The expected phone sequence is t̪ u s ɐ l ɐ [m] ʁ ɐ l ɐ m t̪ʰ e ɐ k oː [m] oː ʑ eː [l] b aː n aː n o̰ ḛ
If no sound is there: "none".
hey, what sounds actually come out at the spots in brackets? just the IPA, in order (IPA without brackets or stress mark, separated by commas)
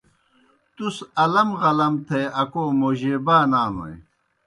m, m, none